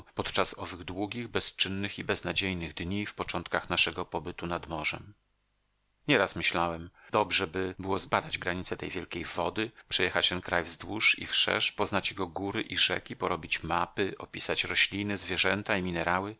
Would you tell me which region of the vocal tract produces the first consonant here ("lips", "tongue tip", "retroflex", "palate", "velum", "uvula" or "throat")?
lips